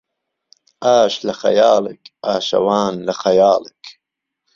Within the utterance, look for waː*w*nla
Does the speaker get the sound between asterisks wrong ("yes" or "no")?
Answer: yes